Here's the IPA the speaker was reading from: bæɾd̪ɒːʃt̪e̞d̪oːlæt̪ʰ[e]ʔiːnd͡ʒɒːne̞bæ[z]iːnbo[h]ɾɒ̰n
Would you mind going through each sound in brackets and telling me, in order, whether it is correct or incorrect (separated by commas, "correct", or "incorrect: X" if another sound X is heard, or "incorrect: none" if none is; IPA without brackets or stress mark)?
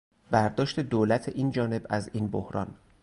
correct, correct, correct